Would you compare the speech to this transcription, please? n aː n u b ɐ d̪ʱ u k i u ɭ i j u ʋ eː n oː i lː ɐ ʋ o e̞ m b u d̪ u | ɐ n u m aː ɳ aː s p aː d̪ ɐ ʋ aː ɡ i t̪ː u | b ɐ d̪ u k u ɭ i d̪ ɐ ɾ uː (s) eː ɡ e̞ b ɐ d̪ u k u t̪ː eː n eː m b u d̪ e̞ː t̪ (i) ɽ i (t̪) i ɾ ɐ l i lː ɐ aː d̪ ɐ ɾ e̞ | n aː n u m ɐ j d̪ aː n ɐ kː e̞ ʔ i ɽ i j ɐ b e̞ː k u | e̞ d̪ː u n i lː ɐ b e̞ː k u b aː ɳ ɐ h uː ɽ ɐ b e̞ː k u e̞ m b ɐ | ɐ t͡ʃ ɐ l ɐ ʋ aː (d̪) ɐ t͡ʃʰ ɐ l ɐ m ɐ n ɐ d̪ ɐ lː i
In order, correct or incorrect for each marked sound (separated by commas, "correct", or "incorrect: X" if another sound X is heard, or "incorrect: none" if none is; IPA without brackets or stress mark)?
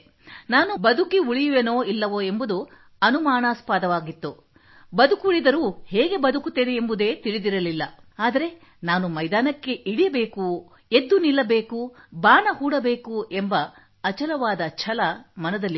incorrect: h, correct, incorrect: d̪, correct